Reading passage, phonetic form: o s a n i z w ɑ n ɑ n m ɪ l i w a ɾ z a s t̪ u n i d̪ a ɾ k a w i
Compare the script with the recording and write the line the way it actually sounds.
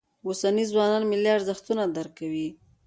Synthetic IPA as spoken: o s a n i z w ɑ n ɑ n m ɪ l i a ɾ z a x t̪ u n a d̪ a ɾ k a w i